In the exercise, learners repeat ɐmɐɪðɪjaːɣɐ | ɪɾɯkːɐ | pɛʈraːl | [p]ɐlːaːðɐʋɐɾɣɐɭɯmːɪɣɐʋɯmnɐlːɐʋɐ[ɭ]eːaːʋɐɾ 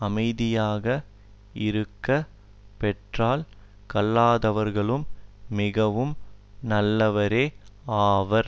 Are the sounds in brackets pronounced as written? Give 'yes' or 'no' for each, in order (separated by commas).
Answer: no, no